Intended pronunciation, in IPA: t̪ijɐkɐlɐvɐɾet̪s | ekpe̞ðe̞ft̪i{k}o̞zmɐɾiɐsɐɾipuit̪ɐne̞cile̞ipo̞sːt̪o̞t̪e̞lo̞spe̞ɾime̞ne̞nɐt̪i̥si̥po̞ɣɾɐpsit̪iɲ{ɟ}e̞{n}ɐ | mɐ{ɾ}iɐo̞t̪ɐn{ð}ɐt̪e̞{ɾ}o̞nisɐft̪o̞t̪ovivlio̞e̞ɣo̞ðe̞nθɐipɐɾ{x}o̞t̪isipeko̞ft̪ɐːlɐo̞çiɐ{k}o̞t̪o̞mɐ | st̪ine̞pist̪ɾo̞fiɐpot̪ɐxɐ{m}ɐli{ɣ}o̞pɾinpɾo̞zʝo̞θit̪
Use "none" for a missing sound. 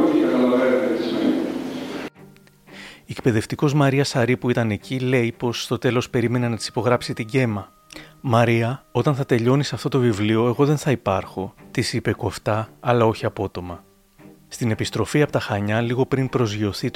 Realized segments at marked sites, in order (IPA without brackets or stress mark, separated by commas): k, ɟ, m, ɾ, θ, ʎ, x, p, ɲ, ɣ